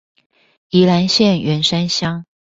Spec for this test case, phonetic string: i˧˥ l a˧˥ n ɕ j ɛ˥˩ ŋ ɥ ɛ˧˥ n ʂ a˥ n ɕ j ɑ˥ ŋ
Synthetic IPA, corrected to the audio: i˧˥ l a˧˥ n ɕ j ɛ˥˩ n ɥ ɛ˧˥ n ʂ a˥ n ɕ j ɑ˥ ŋ